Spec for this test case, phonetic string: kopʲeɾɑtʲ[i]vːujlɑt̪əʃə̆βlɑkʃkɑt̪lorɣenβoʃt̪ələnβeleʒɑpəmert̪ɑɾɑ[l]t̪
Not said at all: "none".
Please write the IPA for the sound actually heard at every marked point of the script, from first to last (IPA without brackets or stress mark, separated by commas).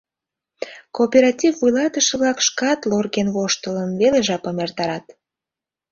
i, none